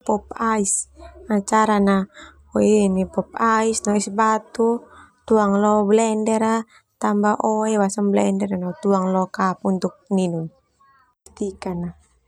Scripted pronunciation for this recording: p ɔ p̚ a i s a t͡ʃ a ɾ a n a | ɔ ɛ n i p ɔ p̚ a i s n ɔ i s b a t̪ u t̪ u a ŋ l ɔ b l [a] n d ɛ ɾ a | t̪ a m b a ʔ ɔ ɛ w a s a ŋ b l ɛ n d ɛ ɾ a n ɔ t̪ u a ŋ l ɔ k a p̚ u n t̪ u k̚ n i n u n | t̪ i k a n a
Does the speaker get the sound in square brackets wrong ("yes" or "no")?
yes